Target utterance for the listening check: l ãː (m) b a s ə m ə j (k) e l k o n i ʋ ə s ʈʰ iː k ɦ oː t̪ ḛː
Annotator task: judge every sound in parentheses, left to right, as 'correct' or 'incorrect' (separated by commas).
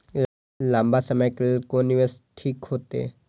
correct, correct